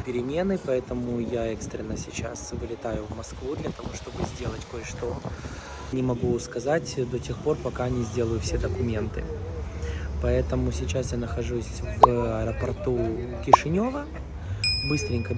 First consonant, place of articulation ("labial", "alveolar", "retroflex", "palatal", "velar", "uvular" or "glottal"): labial